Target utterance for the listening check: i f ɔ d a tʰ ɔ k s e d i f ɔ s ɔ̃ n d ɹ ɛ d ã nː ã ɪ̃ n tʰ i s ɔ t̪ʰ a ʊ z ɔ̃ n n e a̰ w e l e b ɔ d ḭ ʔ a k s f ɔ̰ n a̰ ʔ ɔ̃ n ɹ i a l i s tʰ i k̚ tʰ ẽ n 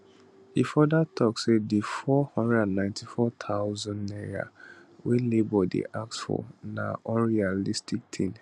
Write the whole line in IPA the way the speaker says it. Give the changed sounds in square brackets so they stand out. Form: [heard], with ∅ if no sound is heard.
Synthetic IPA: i f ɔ d a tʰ ɔ k s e d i f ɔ [h] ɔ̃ n d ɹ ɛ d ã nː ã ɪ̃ n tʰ i [f] ɔ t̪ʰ a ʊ z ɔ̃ n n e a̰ w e l e b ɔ d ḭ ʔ a k s f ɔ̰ n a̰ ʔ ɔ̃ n ɹ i a l i s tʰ i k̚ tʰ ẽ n